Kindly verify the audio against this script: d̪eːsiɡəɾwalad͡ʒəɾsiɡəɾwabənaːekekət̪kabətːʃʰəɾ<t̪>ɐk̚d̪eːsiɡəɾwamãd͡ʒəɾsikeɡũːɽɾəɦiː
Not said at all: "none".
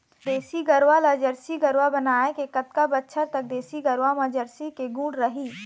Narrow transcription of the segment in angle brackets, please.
t̪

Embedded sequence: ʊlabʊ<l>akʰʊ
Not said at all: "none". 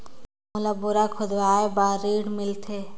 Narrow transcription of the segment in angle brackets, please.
ɾ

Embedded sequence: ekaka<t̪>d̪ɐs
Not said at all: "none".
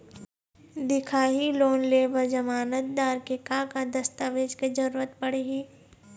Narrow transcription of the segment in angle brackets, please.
none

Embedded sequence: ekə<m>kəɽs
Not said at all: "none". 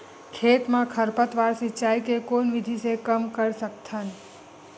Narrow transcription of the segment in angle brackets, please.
m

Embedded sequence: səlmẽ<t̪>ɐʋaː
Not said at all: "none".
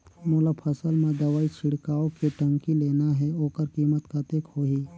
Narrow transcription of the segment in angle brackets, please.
d̪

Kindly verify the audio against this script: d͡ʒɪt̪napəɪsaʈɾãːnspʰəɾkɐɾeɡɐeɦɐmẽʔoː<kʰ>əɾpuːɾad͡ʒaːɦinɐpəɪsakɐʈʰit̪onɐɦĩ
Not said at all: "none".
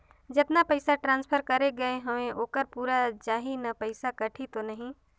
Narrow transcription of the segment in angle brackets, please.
k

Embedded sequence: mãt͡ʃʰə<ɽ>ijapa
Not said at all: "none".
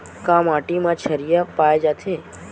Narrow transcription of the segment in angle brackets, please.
ɾ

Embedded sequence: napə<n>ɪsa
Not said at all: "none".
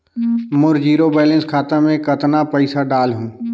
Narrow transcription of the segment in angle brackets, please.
none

